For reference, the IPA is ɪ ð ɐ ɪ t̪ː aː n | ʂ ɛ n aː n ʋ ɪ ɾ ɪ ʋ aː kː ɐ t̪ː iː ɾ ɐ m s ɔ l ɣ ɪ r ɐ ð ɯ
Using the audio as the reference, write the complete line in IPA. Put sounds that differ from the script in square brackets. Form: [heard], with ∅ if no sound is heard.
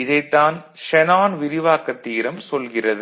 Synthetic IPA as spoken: ɪ ð ɐ ɪ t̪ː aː n | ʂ ɛ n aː n ʋ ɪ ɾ ɪ ʋ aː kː ɐ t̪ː iː ɾ ɐ m s ɔ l ɣ ɪ r ɐ ð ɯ